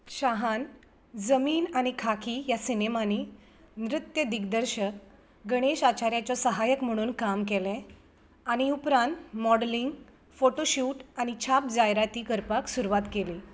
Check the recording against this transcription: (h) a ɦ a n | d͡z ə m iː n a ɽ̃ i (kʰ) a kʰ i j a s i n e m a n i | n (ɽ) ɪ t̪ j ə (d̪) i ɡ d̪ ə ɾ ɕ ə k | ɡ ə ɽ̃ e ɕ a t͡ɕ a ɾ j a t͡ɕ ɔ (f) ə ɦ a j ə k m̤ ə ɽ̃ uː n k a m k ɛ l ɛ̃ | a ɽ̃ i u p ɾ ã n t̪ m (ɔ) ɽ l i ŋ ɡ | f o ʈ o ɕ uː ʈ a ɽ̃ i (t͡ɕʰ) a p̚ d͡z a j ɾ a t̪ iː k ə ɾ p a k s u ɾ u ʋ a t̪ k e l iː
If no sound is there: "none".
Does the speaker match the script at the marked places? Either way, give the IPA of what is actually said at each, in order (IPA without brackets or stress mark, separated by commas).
ɕ, kʰ, ɾ, d̪, s, ɔ, t͡ɕʰ